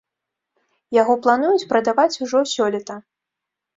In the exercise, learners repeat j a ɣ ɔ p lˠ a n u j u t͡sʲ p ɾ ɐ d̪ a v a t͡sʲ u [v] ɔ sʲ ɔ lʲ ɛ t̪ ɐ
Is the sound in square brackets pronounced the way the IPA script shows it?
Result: no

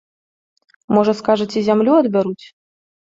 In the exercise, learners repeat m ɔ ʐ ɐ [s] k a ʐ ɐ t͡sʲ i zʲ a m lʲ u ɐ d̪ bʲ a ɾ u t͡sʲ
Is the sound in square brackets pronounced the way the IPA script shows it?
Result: yes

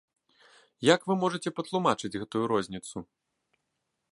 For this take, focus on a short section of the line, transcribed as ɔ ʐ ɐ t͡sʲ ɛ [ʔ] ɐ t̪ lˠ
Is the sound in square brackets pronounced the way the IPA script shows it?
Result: no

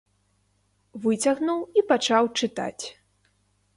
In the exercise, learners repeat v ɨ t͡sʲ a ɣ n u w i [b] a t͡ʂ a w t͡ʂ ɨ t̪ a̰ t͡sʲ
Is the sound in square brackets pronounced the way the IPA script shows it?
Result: no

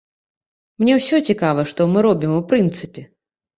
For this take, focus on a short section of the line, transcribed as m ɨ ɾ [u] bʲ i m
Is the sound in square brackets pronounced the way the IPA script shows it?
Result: no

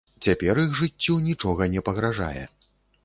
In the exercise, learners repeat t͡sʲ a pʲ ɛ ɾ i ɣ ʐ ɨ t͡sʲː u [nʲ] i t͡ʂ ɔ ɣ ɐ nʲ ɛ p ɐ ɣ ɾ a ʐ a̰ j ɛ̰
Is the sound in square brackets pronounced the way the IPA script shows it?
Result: yes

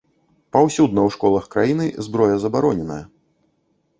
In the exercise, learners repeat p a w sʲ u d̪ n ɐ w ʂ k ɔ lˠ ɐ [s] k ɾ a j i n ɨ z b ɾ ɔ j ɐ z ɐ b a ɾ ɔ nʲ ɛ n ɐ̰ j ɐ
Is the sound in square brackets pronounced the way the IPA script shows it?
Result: no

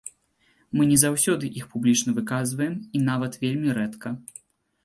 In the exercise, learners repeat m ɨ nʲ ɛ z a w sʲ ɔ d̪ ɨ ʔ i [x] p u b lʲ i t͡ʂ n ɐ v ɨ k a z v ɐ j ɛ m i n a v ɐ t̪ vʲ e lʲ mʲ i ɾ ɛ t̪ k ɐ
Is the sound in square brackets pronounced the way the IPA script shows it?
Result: yes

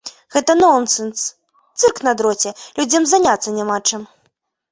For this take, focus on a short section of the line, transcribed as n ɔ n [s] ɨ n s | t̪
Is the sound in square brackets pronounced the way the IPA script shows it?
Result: yes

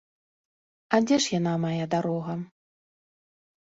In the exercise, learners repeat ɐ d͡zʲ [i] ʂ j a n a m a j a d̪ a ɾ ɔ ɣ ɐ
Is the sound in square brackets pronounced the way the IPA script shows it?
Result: no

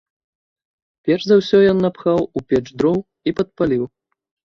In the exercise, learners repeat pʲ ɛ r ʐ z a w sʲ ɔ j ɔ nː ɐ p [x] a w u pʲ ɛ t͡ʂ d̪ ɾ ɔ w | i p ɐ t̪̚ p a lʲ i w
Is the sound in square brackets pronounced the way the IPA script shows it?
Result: yes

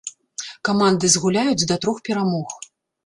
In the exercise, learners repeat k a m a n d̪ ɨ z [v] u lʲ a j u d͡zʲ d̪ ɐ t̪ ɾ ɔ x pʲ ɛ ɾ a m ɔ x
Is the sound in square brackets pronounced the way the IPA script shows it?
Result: no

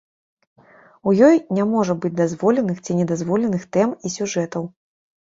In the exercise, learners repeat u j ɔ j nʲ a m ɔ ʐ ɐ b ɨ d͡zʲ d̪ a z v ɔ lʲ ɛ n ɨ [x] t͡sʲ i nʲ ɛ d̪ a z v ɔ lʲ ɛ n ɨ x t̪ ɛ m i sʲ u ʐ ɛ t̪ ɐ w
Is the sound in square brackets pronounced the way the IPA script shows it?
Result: yes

